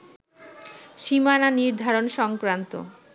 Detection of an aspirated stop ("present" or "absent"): absent